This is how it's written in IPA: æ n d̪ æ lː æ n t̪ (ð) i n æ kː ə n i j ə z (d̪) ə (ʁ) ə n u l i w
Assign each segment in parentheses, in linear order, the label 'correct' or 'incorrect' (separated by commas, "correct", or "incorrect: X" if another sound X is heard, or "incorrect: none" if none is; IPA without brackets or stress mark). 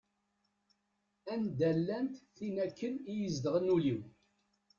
incorrect: θ, correct, correct